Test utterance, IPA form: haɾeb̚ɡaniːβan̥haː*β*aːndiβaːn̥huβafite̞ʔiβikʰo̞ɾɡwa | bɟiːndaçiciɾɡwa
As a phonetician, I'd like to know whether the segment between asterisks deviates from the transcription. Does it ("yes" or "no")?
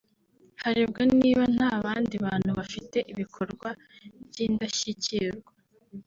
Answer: no